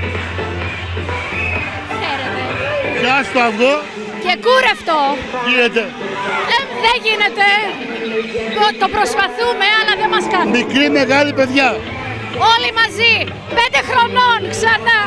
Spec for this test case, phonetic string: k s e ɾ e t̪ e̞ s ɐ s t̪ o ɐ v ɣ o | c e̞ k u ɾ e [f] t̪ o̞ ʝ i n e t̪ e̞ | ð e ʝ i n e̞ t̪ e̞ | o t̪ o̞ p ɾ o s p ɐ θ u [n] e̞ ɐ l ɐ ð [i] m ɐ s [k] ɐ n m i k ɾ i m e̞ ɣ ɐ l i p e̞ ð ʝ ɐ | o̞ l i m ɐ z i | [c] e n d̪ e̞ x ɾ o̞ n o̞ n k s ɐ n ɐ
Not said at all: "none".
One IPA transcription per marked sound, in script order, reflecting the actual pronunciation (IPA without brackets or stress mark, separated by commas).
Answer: f, m, e, k, p